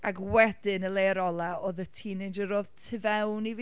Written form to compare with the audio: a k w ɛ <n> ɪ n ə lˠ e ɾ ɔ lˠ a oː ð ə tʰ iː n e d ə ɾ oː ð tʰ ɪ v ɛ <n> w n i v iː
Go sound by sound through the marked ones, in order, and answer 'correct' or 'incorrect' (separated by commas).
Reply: incorrect, incorrect